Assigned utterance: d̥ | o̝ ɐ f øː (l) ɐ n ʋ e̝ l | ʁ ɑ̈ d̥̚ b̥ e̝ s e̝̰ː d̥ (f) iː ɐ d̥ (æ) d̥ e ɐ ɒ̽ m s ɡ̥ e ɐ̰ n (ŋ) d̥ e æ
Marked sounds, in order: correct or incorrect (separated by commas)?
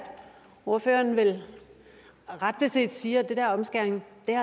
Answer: incorrect, incorrect, incorrect, correct